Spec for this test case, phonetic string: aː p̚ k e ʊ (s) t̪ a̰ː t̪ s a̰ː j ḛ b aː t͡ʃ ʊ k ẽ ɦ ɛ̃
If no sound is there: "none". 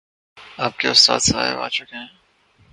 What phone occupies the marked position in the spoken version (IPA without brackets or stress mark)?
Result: s